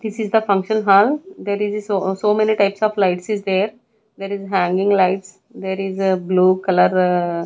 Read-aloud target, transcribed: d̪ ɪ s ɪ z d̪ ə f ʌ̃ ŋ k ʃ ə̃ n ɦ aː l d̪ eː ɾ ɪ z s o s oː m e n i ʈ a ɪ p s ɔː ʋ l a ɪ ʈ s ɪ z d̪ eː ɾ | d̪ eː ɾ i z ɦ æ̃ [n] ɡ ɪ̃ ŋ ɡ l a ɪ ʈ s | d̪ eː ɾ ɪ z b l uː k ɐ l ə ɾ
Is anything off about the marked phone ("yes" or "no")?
yes